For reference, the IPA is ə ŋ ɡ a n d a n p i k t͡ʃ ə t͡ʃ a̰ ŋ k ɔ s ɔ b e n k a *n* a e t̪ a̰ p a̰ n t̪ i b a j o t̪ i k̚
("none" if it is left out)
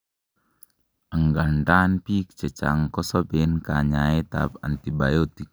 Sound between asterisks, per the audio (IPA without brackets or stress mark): ɲ